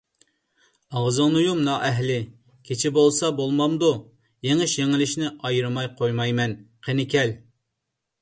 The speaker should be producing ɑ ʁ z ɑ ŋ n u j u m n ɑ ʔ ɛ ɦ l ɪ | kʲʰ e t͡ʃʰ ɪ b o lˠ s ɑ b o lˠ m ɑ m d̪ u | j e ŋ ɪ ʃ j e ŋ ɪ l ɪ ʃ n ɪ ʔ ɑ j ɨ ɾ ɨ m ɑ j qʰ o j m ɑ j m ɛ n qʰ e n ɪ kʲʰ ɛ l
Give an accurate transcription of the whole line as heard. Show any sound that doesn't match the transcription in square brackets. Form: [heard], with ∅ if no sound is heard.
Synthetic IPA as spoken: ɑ ʁ z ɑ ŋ n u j u m n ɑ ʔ ɛ ɦ l ɪ | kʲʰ e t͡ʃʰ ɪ b o lˠ s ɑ b o lˠ m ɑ m d̪ u | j e ŋ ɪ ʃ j e ŋ ɪ l ɪ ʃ n ɪ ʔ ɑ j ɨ ɾ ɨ m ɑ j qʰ o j m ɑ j m ɛ n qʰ e n ɪ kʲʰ ɛ l

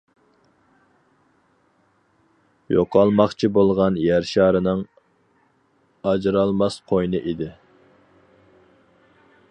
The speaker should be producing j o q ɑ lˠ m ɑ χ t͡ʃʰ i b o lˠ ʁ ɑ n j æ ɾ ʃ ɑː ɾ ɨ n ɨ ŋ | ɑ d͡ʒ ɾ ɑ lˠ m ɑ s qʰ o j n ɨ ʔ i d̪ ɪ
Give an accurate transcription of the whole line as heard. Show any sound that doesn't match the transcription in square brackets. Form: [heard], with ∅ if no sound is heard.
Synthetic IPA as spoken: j o q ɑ lˠ m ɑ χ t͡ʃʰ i b o lˠ ʁ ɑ n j æ ɾ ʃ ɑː ɾ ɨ n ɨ ŋ | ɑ d͡ʒ ɾ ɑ lˠ m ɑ s qʰ o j n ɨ ʔ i d̪ ɪ

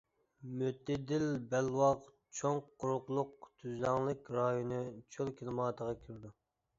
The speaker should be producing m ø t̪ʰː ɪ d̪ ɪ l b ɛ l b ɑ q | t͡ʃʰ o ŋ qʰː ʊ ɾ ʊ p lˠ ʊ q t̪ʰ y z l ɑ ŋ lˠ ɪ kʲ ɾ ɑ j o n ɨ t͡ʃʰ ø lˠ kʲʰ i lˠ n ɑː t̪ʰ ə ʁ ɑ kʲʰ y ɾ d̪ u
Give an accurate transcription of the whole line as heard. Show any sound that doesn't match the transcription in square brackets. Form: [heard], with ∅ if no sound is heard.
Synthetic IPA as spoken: m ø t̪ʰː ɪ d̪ ɪ l b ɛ l [w] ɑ q | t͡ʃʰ o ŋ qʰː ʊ ɾ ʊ [q] lˠ ʊ q t̪ʰ y z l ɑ ŋ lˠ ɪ kʲ ɾ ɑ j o n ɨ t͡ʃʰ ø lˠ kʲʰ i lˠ [m] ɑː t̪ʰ ə ʁ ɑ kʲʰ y ɾ d̪ u

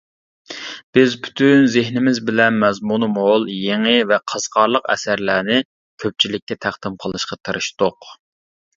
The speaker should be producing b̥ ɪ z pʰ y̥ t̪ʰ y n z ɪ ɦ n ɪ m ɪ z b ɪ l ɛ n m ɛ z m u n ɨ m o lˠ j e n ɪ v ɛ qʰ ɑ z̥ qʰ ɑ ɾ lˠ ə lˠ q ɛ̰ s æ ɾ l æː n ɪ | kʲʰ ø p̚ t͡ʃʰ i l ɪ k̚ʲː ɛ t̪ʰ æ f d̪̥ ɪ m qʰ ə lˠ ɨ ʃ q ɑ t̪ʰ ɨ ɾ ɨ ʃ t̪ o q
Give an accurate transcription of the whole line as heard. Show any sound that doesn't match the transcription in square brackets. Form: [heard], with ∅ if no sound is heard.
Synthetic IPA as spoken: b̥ ɪ z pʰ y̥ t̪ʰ y n z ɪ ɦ n ɪ m ɪ z b ɪ l ɛ n m ɛ z m u n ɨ m o lˠ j e [ŋ] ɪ v ɛ qʰ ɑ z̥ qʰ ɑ ɾ lˠ ə [∅] q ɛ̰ s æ ɾ l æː n ɪ | kʲʰ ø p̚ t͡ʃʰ i l ɪ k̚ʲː ɛ t̪ʰ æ [χ] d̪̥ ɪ m qʰ ə lˠ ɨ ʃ q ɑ t̪ʰ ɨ ɾ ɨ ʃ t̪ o q

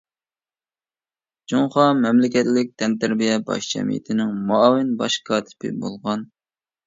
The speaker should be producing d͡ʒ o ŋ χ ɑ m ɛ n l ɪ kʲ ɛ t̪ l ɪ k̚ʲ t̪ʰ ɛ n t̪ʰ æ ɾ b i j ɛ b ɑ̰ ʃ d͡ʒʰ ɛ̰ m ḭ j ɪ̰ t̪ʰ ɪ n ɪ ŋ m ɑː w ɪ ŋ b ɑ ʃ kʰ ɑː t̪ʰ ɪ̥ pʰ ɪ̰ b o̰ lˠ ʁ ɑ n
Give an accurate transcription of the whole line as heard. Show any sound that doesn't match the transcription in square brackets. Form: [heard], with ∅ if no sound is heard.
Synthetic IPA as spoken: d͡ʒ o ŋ χ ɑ m ɛ [m] l ɪ kʲ ɛ t̪ l ɪ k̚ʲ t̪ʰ ɛ n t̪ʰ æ ɾ b i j ɛ b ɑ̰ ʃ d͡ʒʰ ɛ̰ m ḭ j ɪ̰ t̪ʰ ɪ n ɪ ŋ m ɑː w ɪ [n] b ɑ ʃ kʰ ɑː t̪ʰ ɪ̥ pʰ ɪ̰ b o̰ lˠ ʁ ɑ n

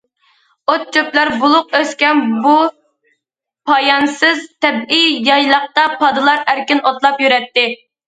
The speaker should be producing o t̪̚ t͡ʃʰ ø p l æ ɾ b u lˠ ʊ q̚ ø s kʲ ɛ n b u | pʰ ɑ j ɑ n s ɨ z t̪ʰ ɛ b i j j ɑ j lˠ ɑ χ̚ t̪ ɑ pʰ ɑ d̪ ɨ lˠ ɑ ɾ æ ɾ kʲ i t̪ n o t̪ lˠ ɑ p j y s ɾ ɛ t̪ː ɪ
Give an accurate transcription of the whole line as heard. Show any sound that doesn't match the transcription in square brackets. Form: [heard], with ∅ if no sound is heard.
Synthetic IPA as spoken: o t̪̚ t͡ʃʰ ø p l æ ɾ b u lˠ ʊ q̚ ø s kʲ ɛ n b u | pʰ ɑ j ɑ n s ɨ z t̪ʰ ɛ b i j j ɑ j lˠ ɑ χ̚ t̪ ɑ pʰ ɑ d̪ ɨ lˠ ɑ ɾ æ ɾ kʲ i [∅] n o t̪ lˠ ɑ p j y [∅] ɾ ɛ t̪ː ɪ

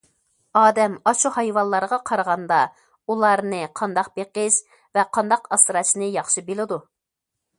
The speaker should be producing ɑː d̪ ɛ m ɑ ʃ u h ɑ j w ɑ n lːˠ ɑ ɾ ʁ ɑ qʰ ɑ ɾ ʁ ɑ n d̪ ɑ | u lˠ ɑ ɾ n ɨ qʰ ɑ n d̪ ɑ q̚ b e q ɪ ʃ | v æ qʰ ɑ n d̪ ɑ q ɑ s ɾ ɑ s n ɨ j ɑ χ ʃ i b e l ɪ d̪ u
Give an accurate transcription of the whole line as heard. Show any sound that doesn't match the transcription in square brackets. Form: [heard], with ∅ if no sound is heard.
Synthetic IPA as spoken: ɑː d̪ ɛ m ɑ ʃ u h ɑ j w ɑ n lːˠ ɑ ɾ ʁ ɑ qʰ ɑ ɾ ʁ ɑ n d̪ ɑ | u lˠ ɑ ɾ n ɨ qʰ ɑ n d̪ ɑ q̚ b e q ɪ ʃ | v [ɛ] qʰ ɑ n d̪ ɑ q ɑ s ɾ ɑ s n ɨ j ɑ χ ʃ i b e l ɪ d̪ u

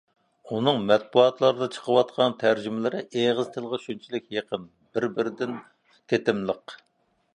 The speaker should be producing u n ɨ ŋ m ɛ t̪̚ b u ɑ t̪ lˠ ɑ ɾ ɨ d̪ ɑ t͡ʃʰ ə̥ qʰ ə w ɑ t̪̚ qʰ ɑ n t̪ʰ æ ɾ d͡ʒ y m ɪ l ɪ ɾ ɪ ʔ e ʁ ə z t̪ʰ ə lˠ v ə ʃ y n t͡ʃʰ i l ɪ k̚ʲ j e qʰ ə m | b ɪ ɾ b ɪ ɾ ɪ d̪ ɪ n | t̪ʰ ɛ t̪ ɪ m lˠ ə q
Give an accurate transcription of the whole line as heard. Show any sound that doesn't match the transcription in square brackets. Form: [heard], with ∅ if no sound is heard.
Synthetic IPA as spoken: u n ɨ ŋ m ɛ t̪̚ b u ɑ t̪ lˠ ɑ ɾ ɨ d̪ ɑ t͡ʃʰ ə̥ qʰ ə w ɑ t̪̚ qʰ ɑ n t̪ʰ æ ɾ d͡ʒ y m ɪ l ɪ ɾ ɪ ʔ e ʁ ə z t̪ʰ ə lˠ [ʁ] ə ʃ y n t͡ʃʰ i l ɪ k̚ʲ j e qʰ ə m | b ɪ ɾ b ɪ ɾ ɪ d̪ ɪ n | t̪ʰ [e] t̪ ɪ m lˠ ə q

